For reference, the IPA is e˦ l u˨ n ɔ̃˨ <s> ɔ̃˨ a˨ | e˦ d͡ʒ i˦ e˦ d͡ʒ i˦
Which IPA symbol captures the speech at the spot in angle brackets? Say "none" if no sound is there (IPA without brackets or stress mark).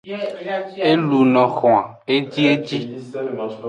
x